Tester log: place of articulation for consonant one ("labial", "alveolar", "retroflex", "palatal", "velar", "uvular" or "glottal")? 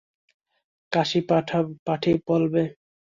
velar